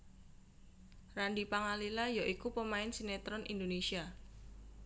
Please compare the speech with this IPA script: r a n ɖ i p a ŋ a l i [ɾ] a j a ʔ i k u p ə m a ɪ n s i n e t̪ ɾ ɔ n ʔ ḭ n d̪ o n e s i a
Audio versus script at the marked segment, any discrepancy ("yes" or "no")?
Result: yes